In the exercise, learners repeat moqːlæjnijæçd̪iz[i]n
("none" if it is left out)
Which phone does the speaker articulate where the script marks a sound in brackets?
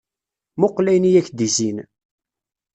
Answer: i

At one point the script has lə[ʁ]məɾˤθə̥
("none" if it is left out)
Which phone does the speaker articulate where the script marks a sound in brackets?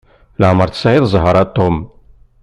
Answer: ʕ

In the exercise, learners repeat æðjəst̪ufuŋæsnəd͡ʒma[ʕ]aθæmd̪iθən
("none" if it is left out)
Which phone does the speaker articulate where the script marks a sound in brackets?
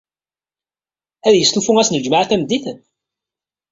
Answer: ʕ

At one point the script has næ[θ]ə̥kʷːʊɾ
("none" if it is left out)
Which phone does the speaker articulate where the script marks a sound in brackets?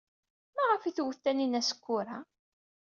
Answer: s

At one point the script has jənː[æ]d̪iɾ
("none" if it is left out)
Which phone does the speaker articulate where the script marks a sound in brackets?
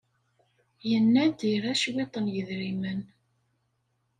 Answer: æ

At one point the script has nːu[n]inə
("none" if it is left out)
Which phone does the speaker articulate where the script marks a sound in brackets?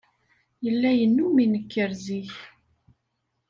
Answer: m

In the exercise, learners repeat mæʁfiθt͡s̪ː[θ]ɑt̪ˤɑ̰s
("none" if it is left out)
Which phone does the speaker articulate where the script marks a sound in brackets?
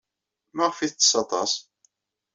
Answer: s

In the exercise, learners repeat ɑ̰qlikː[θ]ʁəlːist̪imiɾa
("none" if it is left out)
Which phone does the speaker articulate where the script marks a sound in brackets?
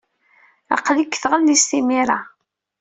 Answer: θ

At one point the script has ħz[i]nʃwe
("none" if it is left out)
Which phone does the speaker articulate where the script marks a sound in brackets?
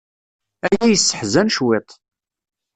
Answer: æ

